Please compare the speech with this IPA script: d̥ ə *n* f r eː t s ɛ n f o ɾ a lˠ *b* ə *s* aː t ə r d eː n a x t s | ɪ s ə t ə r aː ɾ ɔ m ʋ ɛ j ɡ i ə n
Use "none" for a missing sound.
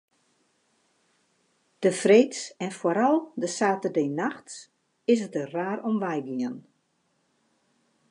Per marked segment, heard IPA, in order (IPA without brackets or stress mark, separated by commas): none, d, s